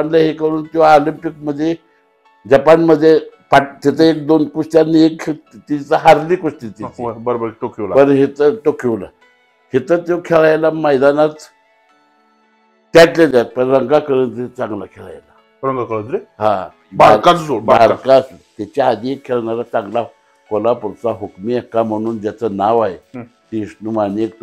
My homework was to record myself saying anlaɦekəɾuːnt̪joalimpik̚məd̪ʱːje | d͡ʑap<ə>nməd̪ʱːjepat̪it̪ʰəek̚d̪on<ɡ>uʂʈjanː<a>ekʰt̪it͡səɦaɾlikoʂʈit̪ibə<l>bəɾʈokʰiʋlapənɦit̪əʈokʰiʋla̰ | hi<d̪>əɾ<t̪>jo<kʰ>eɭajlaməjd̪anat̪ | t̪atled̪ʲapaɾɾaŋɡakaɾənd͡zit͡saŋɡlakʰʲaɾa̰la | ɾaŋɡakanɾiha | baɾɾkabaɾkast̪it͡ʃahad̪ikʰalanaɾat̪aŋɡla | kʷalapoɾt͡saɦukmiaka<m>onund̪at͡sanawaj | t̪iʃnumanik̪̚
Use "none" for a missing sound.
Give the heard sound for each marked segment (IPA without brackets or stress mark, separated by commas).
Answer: a, k, i, ɾ, t̪, t̪, kʰ, m